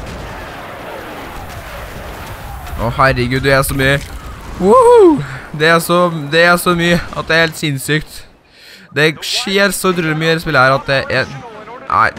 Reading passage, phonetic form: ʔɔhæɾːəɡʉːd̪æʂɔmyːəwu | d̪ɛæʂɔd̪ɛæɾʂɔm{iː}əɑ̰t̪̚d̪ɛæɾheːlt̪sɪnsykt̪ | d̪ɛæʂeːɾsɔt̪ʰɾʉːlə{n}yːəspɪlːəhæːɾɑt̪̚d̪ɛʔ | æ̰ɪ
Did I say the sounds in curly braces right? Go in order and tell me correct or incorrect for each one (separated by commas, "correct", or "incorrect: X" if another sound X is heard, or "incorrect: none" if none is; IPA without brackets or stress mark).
incorrect: yː, incorrect: m